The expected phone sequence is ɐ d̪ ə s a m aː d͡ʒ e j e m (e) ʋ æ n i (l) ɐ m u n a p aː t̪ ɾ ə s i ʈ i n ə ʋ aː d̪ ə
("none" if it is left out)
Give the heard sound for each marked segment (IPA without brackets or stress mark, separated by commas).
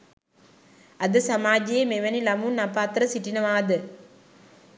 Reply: e, l